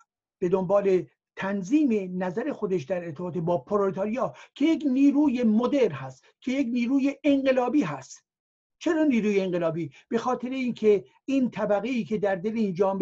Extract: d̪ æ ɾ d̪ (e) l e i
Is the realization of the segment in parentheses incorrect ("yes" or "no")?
no